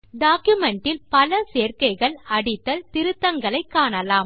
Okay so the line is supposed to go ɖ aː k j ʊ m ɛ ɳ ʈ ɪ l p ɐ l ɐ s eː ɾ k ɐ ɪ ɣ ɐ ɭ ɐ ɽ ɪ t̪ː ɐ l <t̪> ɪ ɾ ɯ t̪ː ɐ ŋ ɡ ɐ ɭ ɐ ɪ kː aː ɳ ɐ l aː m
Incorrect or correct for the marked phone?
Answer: correct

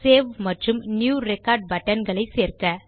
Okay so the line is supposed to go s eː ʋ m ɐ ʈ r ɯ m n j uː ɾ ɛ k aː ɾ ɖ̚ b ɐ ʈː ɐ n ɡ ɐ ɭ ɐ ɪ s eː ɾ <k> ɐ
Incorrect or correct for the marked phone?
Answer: correct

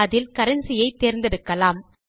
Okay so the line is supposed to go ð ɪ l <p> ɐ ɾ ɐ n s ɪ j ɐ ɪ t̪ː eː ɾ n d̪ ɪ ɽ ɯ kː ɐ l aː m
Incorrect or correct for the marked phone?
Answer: incorrect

